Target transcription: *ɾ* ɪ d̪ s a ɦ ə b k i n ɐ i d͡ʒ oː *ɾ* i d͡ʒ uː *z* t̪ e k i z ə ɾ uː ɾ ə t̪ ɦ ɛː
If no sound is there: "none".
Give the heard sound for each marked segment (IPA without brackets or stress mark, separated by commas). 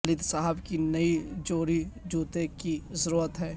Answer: l, ɾ, none